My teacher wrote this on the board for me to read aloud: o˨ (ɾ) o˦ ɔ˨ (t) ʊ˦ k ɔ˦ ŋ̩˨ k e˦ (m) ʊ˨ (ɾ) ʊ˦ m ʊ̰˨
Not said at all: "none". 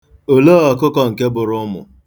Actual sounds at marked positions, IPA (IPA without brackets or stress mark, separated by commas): l, k, b, ɾ